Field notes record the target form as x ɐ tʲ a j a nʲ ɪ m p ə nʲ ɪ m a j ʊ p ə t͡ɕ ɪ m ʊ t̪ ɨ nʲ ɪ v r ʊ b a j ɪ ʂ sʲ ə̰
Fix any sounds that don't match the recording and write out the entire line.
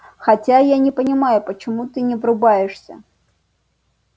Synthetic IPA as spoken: x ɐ tʲ a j a nʲ ɪ p ə nʲ ɪ m a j ʊ p ə t͡ɕ ɪ m u t̪ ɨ nʲ ɪ v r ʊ b a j ɪ ʂ sʲ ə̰